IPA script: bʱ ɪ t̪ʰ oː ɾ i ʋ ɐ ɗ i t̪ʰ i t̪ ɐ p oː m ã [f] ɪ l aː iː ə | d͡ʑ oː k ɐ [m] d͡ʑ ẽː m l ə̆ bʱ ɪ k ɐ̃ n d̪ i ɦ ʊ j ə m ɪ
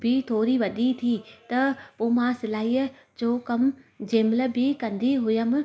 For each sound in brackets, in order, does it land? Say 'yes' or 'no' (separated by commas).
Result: no, yes